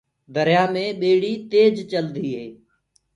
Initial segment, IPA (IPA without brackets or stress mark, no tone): d̪